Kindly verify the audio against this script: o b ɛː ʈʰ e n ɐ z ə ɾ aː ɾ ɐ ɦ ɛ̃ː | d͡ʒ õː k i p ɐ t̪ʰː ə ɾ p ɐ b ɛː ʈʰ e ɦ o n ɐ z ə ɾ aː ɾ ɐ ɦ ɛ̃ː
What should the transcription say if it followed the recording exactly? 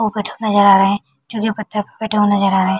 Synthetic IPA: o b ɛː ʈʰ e n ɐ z ə ɾ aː ɾ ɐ ɦ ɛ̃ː | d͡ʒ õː k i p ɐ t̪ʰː ə ɾ p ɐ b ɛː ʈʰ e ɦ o n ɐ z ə ɾ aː ɾ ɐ ɦ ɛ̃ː